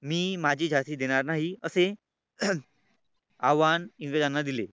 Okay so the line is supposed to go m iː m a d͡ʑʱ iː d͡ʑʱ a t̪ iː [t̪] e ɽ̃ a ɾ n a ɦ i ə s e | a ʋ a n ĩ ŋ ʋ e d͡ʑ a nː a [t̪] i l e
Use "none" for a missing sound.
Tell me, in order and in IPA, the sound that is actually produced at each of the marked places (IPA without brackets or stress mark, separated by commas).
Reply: d̪, d̪